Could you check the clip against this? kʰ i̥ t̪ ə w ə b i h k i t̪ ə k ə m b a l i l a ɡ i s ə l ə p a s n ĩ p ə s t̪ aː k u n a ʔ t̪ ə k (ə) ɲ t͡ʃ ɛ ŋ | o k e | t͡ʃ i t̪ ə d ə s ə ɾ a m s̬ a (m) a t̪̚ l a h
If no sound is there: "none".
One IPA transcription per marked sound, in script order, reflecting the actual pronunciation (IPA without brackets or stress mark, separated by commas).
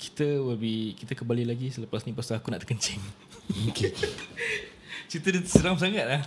ə, ŋ